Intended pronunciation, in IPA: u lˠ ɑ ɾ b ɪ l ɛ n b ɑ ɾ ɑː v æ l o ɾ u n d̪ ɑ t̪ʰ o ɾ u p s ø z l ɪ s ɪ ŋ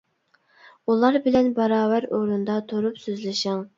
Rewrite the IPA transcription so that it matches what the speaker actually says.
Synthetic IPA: u lˠ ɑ ɾ b ɪ l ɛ n b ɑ ɾ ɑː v æ ɾ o ɾ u n d̪ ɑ t̪ʰ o ɾ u p s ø z l ɪ ʃ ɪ ŋ